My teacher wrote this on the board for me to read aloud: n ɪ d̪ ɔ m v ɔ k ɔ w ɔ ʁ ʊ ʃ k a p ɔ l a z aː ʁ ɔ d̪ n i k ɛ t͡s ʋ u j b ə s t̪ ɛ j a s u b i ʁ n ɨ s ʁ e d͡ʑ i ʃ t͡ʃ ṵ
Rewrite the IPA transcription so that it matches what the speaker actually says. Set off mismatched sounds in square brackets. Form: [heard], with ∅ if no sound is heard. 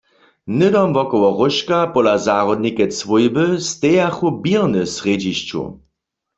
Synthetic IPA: n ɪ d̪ ɔ m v ɔ k ɔ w ɔ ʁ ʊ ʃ k a p ɔ l a z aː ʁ ɔ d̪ n i k ɛ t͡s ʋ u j b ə s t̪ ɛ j a [x] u b i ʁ n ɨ s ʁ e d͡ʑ i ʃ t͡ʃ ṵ